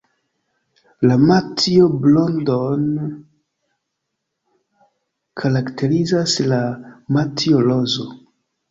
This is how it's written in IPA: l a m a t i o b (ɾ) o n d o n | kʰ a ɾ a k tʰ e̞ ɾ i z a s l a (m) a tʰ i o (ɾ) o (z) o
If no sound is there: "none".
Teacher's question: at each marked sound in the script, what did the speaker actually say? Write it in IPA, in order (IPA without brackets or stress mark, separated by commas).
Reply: l, m, l, z